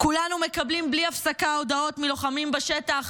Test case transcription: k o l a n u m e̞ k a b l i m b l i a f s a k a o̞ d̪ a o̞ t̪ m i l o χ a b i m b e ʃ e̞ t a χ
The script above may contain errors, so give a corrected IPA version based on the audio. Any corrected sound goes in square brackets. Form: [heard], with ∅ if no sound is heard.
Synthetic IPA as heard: k [u] l a n u m e̞ k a b l i m b l i a f s a k a o̞ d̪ a o̞ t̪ m i l o χ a [m] i m b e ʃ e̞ t a χ